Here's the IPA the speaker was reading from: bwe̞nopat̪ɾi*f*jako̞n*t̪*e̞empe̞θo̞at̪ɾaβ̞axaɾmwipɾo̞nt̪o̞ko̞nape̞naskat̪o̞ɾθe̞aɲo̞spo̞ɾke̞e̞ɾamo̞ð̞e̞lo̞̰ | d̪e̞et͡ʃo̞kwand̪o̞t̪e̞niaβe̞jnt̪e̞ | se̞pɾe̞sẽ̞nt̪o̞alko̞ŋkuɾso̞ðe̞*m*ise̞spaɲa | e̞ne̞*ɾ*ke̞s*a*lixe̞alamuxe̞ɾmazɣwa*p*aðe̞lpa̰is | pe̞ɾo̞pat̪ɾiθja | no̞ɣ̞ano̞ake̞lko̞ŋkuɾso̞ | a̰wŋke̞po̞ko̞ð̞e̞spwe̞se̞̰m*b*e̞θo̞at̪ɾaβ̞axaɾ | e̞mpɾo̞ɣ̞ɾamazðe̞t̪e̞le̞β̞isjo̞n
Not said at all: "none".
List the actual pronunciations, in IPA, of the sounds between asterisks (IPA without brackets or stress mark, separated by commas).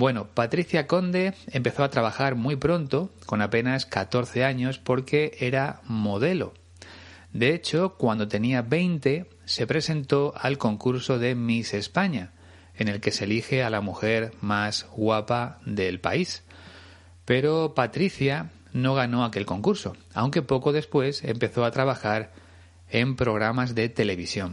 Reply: θ, d̪, m, l, e, p, p